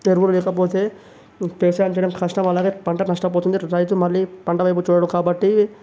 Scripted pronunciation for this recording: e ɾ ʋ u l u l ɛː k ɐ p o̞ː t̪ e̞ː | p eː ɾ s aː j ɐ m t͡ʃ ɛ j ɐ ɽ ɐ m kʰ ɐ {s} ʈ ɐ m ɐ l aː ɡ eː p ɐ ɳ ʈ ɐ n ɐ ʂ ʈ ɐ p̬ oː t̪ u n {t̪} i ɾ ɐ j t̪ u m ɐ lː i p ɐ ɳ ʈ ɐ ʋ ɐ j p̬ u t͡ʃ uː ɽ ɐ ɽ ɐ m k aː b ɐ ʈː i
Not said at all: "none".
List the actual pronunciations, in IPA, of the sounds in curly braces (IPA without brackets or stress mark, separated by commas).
ʂ, d̪